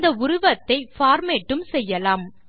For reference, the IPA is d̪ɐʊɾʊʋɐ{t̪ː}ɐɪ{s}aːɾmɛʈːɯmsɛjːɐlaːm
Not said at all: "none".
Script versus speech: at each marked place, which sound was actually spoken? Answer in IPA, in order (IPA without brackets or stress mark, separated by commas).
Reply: t̪ː, f